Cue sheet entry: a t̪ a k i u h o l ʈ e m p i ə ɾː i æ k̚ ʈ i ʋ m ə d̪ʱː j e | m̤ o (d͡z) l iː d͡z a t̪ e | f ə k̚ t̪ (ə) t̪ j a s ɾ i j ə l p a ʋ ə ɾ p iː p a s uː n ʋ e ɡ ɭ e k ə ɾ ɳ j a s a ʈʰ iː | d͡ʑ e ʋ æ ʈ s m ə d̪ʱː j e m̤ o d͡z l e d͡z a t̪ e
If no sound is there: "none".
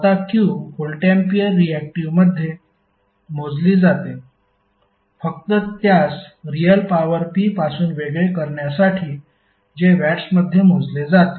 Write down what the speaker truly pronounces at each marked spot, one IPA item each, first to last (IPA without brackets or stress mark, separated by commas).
d͡z, ə